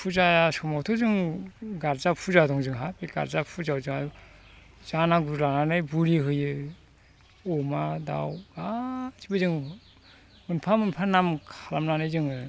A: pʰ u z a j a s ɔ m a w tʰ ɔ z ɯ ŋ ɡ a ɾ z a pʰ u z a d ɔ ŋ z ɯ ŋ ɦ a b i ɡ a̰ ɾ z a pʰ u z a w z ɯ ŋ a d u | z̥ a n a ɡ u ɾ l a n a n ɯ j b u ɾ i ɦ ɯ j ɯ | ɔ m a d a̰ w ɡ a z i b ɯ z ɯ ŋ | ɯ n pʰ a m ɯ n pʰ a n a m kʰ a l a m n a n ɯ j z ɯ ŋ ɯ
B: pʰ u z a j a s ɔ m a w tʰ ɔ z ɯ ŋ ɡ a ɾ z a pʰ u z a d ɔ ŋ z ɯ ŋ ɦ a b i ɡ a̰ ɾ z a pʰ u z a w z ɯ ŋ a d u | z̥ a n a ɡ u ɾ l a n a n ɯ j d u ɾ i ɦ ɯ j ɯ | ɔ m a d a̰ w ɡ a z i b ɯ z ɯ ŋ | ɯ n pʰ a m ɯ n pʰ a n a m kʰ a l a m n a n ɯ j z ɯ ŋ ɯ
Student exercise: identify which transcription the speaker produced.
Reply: A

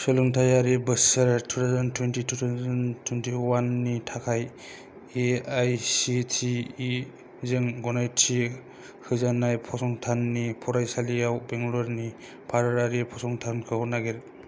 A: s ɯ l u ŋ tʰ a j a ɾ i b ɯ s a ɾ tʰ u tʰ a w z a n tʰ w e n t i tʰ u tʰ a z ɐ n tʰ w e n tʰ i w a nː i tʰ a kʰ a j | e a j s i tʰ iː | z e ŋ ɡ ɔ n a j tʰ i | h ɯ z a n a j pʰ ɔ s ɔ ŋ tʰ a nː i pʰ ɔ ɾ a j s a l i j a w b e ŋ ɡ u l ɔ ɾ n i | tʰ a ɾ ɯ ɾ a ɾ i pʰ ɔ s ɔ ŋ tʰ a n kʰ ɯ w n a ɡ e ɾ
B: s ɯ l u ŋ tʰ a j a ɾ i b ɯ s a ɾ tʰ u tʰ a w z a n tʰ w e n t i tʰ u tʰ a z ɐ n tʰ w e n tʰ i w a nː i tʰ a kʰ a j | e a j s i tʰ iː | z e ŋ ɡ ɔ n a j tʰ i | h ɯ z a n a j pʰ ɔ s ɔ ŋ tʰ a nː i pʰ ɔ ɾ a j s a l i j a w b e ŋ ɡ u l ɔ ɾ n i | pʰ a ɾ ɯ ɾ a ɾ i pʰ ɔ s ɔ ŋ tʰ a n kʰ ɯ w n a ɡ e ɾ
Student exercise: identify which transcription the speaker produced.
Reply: B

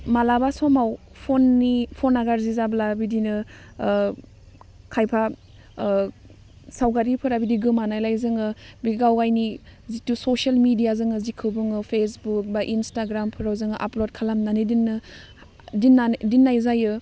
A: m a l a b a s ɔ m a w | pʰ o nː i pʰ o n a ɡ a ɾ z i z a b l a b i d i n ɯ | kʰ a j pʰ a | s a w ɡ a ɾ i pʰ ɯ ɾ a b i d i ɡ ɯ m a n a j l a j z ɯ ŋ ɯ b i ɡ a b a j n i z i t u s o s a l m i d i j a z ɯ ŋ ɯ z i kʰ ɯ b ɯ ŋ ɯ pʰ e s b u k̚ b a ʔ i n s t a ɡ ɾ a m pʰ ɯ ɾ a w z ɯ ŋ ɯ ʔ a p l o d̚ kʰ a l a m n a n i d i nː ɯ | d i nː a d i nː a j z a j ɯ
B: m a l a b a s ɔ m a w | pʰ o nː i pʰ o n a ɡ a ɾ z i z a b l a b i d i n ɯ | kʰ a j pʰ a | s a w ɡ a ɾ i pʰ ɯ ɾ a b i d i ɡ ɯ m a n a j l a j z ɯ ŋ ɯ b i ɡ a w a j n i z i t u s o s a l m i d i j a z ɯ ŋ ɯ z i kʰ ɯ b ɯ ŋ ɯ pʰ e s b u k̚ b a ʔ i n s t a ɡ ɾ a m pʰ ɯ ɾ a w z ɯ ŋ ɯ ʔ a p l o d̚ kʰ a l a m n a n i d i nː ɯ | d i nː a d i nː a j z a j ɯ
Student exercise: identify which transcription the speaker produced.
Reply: B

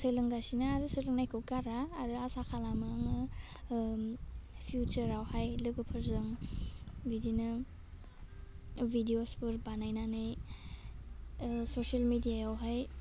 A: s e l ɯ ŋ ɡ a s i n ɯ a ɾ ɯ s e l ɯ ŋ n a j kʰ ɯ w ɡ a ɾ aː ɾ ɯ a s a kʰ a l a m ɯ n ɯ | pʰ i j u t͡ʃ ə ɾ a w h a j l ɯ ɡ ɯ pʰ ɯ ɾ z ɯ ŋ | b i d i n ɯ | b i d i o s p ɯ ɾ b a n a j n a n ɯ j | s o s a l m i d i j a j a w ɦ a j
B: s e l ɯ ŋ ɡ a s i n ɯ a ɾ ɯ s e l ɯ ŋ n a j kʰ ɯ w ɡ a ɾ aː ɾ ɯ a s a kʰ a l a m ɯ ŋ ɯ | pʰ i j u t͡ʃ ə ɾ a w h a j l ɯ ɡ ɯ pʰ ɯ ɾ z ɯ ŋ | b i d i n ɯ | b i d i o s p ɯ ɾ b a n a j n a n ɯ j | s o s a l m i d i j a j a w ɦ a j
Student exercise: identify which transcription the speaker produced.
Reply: B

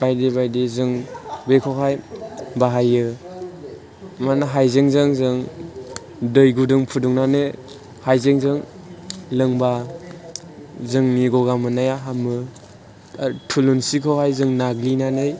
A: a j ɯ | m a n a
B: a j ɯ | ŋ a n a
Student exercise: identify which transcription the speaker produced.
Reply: A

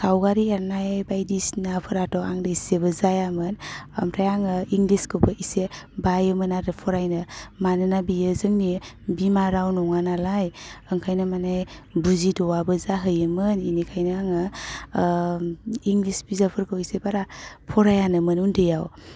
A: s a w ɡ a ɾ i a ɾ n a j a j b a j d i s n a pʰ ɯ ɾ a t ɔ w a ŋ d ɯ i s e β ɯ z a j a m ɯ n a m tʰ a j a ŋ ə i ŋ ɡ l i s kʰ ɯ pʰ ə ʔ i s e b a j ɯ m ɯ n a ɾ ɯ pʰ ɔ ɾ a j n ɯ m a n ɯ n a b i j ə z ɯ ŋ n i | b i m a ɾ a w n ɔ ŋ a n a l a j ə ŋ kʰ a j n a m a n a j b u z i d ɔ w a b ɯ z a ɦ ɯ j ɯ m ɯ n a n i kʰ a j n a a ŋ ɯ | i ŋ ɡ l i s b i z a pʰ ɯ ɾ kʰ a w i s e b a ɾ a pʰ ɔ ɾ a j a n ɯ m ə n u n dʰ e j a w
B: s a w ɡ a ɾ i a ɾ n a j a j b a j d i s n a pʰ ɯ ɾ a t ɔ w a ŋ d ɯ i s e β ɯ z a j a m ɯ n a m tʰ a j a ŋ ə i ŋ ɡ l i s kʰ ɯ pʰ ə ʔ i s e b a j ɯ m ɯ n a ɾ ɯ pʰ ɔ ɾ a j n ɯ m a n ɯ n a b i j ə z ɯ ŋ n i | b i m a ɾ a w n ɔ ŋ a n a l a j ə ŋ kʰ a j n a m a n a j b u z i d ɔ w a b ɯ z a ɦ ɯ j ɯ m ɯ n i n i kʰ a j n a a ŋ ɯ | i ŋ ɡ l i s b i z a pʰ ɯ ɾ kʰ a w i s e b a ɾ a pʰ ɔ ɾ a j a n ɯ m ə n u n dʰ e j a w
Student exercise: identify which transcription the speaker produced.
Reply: B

